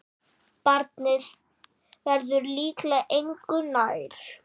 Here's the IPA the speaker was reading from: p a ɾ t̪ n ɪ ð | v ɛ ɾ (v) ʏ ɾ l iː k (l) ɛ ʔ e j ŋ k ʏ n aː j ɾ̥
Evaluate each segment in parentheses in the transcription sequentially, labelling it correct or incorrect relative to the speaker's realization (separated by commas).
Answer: incorrect, correct